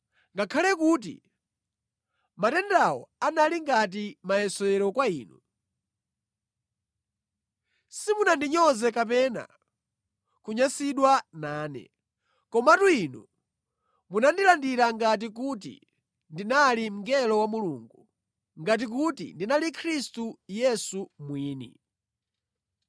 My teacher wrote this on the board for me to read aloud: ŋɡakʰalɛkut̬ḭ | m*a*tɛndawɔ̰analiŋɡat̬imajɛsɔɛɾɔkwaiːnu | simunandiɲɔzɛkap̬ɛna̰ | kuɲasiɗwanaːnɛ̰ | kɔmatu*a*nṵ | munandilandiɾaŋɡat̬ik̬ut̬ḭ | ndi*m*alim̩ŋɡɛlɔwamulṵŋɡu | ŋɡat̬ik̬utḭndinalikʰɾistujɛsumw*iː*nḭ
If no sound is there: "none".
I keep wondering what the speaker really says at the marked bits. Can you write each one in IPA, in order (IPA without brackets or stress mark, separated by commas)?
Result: a, i, n, iː